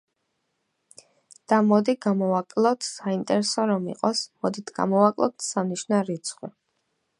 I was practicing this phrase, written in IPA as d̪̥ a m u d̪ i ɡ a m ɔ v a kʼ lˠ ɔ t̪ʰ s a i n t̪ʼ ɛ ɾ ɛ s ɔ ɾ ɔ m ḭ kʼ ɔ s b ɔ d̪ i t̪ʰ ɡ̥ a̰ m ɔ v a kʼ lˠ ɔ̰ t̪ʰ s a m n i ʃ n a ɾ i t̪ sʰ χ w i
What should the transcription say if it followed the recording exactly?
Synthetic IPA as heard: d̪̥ a m ɔ d̪ i ɡ a m ɔ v a kʼ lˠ ɔ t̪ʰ s a i n t̪ʼ ɛ ɾ ɛ s ɔ ɾ ɔ m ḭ qʼ ɔ s m ɔ d̪ i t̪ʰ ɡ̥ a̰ m ɔ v a kʼ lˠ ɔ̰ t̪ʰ s a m n i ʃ n a ɾ i t̪ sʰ χ w i